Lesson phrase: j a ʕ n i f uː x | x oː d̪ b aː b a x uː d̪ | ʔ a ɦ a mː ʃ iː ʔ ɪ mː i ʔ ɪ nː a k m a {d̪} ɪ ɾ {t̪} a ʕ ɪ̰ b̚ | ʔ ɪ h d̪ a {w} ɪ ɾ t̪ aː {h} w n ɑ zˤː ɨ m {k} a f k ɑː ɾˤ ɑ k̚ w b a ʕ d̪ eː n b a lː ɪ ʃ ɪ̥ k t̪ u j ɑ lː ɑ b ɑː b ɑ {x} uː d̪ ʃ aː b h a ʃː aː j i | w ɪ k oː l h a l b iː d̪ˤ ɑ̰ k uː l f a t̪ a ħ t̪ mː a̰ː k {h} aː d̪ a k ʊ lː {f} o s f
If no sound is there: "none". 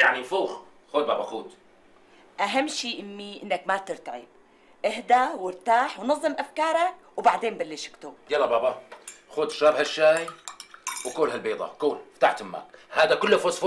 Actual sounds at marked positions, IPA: t̪, t̪, w, ħ, ʔ, x, h, f

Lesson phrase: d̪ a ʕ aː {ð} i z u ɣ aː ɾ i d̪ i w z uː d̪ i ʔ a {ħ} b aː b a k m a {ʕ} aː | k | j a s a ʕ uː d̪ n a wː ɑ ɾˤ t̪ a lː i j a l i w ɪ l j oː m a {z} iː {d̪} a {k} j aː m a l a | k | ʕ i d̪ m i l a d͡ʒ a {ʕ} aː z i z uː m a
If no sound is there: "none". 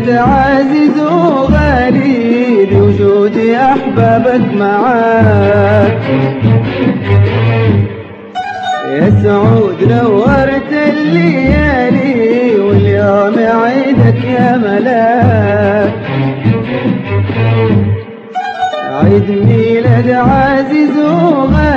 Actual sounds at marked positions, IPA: z, ħ, ʕ, ʕ, d̪, k, ʕ

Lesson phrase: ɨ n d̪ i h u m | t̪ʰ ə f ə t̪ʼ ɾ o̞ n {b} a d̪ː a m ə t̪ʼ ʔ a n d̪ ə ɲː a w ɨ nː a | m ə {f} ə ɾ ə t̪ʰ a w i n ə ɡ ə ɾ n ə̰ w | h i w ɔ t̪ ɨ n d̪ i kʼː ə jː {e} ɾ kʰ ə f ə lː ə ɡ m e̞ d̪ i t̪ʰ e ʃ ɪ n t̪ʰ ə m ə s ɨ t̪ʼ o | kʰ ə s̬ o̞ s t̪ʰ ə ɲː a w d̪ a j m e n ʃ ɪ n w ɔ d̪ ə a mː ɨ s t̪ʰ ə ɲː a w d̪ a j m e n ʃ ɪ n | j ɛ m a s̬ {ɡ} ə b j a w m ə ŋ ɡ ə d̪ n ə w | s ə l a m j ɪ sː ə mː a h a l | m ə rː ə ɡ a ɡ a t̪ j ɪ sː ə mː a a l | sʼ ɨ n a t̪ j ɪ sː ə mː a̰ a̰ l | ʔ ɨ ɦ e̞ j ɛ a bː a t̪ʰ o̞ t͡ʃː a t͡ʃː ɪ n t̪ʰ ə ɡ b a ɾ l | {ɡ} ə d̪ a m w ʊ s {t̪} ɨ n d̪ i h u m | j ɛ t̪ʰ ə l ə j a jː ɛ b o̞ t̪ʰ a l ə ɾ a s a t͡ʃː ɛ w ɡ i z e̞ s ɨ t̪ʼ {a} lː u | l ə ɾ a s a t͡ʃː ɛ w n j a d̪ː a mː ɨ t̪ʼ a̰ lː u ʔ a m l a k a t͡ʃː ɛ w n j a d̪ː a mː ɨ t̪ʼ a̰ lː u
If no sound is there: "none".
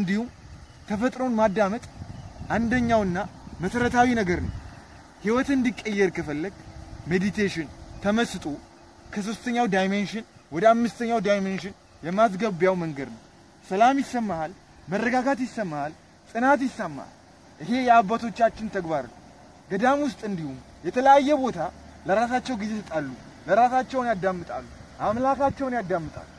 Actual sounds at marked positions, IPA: m, s, ɛ, ɡ, ɡ, t̪ʼ, a

